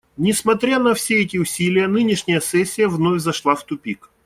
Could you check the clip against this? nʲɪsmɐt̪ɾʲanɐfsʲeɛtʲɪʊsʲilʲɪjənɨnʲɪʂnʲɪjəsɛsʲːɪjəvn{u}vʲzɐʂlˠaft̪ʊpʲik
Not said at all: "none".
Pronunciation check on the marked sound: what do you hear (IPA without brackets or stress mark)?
o